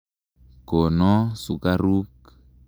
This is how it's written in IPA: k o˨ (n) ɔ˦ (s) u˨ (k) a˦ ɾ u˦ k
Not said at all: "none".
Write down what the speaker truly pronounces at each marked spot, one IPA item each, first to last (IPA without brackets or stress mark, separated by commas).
n, s, k